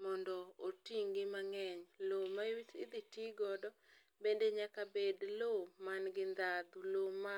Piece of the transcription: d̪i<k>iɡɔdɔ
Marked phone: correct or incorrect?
incorrect